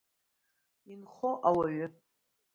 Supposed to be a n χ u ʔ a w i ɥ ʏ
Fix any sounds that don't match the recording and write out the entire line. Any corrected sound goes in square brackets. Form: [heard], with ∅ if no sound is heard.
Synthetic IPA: [i] n χ [o] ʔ a w [a] ɥ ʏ